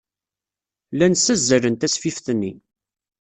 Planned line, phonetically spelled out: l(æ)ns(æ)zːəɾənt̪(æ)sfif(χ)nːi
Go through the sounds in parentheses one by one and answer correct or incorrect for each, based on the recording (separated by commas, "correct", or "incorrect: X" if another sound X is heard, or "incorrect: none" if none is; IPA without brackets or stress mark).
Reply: correct, correct, correct, incorrect: θ